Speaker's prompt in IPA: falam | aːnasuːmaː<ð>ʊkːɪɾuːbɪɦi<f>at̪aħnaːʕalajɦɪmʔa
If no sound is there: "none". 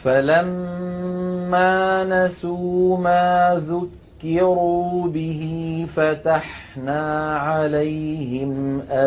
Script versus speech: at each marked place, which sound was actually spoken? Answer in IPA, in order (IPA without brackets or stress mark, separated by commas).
ð, f